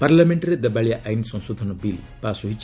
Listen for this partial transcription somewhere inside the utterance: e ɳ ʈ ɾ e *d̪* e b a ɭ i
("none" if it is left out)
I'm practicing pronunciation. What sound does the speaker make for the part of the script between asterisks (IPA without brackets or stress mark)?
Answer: d̪